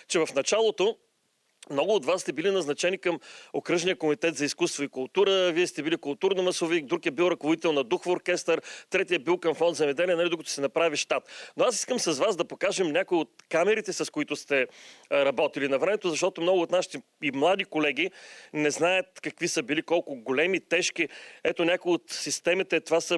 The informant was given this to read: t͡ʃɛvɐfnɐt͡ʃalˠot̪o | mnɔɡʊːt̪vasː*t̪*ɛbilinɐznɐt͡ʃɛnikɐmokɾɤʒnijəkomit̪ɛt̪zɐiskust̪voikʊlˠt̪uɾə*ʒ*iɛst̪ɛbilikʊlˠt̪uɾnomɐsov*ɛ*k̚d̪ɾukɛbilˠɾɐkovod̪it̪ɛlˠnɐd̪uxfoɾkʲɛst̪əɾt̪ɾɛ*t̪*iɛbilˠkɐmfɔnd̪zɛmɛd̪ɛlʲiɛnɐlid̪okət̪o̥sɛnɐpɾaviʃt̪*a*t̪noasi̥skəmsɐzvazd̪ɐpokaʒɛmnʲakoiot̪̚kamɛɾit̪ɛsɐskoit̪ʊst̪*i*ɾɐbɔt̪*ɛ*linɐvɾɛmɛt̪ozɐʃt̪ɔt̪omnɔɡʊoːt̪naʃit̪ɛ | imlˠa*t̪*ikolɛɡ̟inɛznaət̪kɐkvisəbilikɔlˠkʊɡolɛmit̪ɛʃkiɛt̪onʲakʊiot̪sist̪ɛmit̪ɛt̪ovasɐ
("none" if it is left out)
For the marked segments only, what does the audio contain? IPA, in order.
t̪, v, i, t̪, a, ɛ, i, d̪

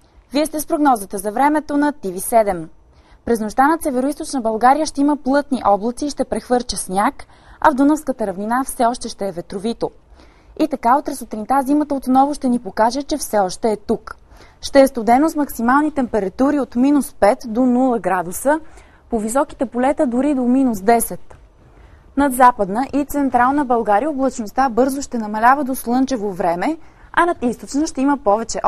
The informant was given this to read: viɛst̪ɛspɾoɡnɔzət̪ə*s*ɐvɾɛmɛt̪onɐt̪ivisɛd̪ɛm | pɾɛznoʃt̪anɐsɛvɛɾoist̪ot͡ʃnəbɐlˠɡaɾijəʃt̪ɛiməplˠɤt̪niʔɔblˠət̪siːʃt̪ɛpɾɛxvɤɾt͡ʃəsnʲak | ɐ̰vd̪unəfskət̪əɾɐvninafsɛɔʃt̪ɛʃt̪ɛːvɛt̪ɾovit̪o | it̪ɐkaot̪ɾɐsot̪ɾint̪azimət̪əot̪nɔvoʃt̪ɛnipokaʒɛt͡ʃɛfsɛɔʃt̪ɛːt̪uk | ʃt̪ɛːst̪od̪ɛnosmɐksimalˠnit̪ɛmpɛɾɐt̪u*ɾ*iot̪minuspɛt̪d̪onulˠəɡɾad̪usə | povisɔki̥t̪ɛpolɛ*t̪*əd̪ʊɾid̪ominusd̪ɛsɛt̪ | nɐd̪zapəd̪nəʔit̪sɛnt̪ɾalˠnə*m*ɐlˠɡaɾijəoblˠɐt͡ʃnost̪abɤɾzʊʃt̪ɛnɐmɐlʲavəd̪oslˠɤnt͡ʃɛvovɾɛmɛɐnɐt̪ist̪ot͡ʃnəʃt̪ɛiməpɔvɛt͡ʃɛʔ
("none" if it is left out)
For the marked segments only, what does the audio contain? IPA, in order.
z, ɾ, t̪, b

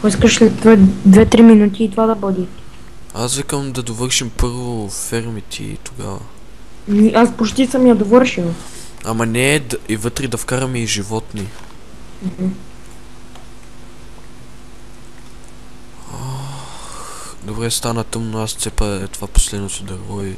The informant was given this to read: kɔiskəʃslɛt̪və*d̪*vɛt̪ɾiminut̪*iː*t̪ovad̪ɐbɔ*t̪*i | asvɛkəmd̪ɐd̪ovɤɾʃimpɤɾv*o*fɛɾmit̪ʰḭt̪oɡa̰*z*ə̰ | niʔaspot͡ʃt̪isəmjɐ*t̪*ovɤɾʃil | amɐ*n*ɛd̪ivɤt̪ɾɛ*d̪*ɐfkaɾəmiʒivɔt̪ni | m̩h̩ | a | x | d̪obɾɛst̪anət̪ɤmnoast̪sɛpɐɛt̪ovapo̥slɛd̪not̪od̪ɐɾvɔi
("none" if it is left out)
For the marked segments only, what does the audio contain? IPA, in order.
d̪, iː, d̪, o, v, d̪, n, d̪

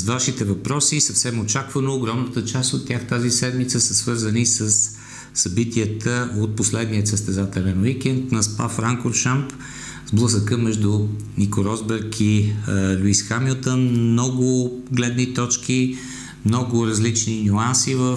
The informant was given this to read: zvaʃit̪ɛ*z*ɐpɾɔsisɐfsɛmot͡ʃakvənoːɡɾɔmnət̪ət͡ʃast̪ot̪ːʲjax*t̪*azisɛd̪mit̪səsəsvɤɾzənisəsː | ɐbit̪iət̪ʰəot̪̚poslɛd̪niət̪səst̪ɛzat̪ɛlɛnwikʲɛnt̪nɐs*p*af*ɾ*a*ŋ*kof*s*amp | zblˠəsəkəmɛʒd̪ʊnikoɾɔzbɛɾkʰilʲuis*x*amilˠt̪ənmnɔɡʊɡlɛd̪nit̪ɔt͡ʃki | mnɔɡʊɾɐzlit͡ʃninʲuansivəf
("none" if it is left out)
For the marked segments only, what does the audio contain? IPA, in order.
v, t̪, p, ɾ, ŋ, ʃ, x

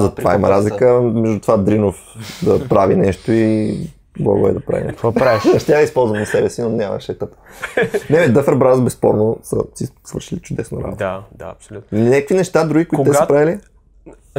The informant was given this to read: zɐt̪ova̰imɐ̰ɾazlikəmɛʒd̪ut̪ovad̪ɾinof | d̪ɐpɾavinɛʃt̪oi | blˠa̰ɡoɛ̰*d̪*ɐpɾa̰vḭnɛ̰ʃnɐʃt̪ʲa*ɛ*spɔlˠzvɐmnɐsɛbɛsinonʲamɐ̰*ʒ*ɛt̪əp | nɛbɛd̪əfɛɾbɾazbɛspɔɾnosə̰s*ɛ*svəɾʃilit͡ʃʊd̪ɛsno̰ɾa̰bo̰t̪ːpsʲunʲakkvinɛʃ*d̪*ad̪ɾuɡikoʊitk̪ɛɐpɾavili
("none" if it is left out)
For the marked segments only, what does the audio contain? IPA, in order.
d̪, i, ʃ, i, t̪

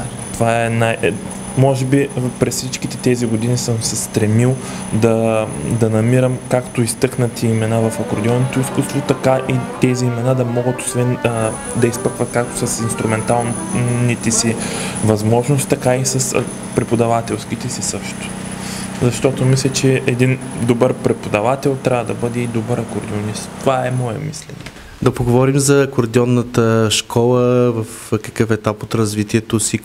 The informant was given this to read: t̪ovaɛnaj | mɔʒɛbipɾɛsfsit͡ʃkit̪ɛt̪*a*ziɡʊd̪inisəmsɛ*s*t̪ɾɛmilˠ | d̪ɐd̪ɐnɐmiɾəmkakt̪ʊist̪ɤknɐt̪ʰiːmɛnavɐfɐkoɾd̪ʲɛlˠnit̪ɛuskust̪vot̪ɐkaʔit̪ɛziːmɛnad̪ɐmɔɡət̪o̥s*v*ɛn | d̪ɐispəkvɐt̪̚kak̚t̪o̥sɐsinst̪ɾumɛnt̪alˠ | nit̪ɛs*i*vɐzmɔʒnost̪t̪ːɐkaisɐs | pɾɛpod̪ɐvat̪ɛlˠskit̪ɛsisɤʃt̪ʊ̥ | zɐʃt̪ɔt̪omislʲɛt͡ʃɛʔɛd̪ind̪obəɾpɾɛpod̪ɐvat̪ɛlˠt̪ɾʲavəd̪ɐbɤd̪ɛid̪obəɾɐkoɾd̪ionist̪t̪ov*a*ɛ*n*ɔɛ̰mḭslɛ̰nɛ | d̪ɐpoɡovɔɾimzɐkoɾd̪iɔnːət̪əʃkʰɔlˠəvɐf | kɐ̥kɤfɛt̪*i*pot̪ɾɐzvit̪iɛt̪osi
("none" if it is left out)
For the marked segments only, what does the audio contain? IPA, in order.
ɛ, s, v, i, a, m, a

